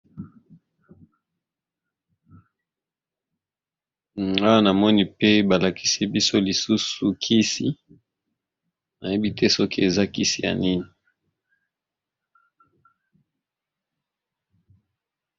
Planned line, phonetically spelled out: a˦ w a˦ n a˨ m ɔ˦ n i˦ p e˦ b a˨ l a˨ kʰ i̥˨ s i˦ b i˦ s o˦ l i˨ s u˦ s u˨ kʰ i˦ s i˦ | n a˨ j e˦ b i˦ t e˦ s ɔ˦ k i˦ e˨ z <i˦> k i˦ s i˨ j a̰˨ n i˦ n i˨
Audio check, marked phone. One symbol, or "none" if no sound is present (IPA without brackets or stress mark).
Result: a˦